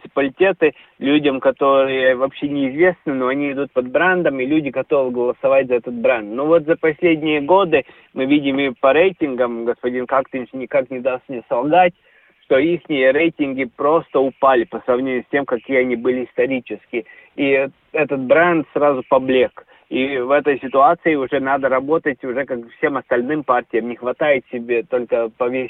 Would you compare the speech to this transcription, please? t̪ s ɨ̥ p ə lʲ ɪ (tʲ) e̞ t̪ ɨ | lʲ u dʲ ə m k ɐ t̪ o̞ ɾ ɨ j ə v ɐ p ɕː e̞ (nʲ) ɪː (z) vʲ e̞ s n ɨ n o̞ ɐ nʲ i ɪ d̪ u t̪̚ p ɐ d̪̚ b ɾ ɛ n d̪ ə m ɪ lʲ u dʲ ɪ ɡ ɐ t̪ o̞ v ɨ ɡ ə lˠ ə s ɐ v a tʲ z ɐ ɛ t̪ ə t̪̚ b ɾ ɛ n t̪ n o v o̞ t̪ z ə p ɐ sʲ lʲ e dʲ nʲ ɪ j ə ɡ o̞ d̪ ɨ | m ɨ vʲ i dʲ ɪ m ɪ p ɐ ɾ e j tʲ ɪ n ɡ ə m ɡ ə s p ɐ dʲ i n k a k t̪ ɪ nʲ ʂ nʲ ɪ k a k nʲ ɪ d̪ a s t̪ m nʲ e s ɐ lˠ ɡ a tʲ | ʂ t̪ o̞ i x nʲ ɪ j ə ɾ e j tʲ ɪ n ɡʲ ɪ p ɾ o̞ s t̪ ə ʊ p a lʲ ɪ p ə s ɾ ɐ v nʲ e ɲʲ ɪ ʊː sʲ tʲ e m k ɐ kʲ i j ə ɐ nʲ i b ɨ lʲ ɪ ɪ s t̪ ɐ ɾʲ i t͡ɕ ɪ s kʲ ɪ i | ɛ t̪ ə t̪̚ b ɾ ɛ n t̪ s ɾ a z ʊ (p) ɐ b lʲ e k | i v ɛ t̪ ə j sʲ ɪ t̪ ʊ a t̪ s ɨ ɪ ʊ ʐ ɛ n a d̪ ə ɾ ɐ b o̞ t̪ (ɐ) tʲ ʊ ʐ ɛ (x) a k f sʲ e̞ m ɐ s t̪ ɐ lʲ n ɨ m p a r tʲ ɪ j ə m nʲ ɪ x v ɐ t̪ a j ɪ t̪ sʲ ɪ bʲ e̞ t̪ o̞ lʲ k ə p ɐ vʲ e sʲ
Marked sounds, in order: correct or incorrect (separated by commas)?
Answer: correct, correct, correct, correct, incorrect, incorrect